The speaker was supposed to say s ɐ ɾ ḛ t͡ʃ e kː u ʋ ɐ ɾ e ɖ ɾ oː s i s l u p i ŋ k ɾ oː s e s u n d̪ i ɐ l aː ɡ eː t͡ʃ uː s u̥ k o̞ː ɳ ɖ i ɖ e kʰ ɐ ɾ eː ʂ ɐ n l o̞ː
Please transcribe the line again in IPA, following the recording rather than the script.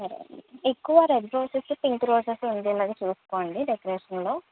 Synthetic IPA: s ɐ ɾ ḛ e kː u ʋ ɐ ɾ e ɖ ɾ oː s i s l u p i ŋ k ɾ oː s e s u n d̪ i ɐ l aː ɡ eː t͡ʃ uː s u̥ k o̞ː ɳ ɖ i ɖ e k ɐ ɾ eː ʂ ɐ n l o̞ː